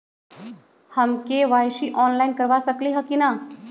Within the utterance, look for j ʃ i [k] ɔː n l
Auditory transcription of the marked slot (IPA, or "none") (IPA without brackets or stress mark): ʔ